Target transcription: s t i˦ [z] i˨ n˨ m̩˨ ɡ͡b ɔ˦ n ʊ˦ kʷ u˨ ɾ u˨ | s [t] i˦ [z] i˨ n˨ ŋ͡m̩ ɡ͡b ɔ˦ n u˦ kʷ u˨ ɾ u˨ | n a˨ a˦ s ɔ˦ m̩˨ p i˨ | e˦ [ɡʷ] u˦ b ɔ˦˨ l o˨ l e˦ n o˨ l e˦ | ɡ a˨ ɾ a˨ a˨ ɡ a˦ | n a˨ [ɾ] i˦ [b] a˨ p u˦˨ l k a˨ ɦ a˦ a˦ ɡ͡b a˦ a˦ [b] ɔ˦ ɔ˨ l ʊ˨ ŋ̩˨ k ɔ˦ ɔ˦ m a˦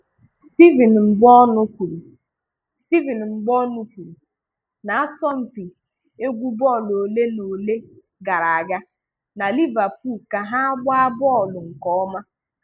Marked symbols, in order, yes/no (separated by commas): no, yes, no, yes, no, no, yes